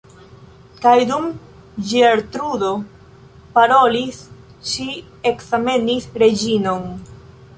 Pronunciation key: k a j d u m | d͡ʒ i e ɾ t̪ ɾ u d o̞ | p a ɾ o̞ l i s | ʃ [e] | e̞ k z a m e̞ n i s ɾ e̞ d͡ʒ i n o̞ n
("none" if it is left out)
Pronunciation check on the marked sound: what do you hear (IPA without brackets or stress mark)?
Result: i